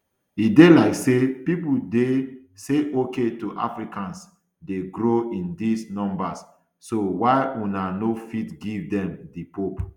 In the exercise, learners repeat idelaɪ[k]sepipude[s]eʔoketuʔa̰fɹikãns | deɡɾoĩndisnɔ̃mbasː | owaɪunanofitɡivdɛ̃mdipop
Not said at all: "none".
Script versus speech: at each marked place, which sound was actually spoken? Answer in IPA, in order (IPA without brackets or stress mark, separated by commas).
k, s